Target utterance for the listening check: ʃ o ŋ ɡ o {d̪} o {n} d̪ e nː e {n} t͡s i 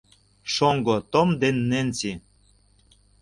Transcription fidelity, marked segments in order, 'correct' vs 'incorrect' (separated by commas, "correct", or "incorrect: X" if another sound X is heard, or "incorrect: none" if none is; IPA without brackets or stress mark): incorrect: t̪, incorrect: m, correct